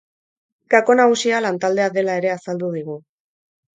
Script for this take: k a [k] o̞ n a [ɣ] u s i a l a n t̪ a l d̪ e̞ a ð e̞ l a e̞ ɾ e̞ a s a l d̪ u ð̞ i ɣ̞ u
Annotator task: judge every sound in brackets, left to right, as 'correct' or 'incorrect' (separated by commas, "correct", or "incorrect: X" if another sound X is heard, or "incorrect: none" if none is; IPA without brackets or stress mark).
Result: correct, correct